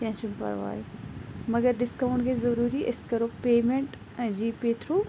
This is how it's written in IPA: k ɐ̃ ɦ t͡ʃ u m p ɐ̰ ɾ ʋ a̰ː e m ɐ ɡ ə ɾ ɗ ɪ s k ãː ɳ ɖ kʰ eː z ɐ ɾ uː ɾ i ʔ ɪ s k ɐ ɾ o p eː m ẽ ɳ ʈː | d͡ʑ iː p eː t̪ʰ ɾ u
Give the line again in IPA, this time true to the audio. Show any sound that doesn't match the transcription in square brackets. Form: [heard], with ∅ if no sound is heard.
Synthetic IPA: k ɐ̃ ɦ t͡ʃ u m p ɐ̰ ɾ ʋ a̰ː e m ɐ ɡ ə ɾ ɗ ɪ s k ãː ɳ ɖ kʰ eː z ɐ ɾ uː ɾ i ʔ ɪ s k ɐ ɾ o p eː m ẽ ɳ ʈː | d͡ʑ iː p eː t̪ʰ ɾ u

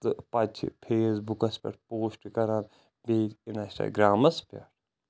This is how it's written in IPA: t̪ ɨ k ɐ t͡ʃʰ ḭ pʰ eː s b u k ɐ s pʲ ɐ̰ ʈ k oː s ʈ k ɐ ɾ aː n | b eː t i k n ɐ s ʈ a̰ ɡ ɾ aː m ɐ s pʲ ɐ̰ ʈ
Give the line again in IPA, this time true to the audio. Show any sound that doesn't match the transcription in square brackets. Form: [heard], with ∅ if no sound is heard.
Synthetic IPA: t̪ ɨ [p] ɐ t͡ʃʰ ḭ pʰ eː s b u k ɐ s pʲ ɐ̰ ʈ [p] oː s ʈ k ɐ ɾ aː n | b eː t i [∅] n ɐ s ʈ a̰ ɡ ɾ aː m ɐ s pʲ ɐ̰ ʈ

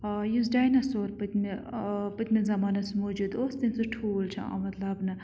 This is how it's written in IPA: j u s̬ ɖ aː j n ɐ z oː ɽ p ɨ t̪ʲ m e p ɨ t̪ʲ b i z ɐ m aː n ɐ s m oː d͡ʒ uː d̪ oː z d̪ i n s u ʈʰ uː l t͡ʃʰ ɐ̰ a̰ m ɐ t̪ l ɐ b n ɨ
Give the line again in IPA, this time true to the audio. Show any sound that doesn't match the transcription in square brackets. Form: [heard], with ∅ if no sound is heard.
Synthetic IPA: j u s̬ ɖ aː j n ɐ [s] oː [ɾ] p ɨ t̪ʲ m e p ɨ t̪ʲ [m] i z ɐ m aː n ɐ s m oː d͡ʒ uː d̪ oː [s] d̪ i n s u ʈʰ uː l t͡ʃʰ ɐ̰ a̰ m ɐ t̪ l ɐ b n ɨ

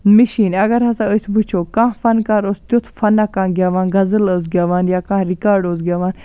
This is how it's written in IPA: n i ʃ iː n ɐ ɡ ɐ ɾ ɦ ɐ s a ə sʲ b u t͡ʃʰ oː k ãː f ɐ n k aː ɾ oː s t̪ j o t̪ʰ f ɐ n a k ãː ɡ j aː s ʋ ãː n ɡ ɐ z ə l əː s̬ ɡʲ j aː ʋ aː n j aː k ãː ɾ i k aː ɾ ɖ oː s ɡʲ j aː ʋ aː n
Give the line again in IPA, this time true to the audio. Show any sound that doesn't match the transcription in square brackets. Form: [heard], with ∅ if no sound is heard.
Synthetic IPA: [m] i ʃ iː n ɐ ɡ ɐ ɾ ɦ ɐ s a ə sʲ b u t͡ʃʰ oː k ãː f ɐ n k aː ɾ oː s t̪ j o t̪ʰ f ɐ n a k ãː ɡ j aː [∅] ʋ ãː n ɡ ɐ z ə l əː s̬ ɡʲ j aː ʋ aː n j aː k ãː ɾ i k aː ɾ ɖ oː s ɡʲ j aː ʋ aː n

